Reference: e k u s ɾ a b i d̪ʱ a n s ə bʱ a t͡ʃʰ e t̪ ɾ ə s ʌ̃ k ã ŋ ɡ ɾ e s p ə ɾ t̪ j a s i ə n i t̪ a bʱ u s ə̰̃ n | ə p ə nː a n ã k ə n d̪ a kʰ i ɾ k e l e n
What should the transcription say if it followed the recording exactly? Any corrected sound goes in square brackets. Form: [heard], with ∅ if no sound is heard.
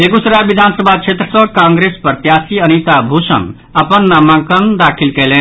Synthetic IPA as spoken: e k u s ɾ a b i d̪ʱ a n s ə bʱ a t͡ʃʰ e t̪ ɾ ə s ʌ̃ k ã ŋ ɡ ɾ e s p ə ɾ t̪ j a s i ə n i t̪ a bʱ u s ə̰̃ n | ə p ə nː a [m] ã k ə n d̪ a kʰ i [l] k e l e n